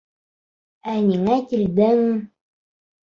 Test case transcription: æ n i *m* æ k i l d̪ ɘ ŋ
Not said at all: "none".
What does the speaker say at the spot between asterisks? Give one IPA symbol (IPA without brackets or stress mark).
ŋ